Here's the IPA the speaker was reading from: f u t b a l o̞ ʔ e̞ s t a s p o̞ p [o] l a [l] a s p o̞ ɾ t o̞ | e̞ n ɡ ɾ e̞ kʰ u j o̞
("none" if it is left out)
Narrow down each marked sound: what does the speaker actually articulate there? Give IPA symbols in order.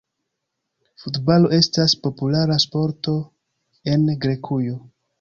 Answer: u, ɾ

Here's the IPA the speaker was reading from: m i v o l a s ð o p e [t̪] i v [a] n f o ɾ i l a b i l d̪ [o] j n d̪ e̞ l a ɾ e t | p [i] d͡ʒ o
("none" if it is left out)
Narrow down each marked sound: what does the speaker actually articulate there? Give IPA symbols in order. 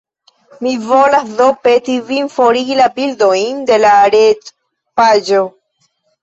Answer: t̪, i, o, a

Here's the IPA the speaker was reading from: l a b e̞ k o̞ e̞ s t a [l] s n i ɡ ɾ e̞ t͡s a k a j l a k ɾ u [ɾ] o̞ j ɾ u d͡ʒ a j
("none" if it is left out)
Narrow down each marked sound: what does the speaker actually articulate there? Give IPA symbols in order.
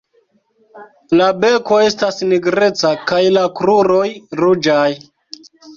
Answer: none, ɾ

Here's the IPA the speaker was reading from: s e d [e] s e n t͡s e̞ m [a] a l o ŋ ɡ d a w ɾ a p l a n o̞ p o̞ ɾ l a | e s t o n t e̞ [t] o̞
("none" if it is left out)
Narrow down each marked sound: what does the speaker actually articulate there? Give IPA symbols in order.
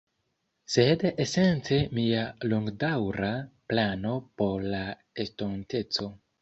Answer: e, i, t͡s

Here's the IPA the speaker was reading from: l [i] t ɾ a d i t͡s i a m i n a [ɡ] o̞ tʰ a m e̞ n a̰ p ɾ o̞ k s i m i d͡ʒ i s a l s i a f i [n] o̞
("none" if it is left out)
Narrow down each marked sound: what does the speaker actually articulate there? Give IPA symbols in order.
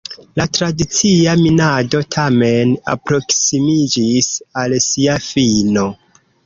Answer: a, d, n

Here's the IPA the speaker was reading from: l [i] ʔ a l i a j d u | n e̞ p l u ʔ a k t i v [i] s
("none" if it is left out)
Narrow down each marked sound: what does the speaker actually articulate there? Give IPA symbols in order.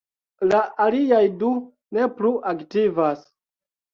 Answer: a, a

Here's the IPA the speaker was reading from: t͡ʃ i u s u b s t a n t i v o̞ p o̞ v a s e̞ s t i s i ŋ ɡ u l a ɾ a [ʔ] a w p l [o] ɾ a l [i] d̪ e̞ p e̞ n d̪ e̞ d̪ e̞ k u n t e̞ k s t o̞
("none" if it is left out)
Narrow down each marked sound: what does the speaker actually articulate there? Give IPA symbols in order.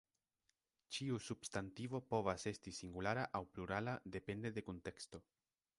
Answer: ʔ, u, a

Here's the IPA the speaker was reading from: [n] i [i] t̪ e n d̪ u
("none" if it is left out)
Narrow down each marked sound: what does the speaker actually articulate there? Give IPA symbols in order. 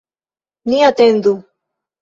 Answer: n, a

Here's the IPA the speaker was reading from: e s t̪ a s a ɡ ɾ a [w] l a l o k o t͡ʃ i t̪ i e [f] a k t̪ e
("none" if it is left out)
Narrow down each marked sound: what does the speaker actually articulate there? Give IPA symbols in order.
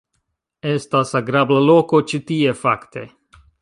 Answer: b, f

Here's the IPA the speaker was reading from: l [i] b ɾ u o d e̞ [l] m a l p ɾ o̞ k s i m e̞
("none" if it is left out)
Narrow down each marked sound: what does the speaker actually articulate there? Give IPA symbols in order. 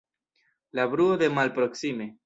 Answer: a, none

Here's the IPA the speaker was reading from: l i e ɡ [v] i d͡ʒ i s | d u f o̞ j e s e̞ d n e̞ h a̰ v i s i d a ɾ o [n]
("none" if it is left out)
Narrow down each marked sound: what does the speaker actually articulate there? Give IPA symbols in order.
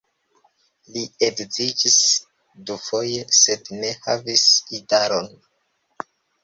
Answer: z, n

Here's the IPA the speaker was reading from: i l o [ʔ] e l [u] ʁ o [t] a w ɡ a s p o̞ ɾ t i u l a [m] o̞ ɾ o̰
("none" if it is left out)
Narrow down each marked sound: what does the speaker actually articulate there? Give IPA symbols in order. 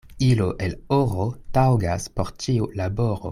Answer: ʔ, o, t, b

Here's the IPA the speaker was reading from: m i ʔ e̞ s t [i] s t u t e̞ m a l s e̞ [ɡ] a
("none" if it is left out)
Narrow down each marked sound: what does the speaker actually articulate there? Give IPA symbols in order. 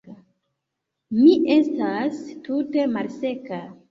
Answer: a, k

